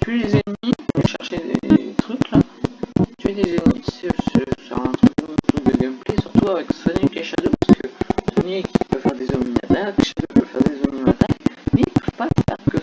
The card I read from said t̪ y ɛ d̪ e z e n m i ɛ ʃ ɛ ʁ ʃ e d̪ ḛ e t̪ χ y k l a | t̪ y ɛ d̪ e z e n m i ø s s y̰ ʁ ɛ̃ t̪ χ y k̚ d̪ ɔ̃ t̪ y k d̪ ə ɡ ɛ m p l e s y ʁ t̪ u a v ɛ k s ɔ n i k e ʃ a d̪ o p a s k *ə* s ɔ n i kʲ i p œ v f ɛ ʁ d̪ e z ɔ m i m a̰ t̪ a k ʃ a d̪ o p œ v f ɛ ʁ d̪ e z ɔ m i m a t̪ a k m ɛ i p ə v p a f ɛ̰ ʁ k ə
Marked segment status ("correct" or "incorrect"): correct